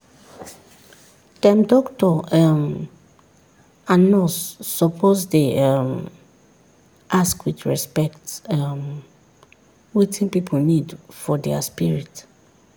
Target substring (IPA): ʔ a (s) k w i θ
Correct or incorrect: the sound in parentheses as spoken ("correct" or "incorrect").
correct